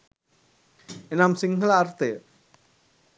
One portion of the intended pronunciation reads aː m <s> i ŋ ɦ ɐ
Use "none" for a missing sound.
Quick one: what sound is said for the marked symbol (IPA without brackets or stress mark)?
s